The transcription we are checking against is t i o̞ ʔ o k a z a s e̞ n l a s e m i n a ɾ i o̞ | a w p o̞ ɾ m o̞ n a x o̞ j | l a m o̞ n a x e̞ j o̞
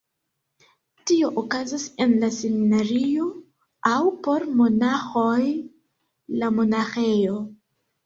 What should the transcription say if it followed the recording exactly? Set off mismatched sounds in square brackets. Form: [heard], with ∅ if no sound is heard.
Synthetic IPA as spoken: t i o̞ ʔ o k a z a s e̞ n l a s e m i n a ɾ i o̞ | a w p o̞ ɾ m o̞ n a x o̞ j | l a m o̞ n a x e̞ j o̞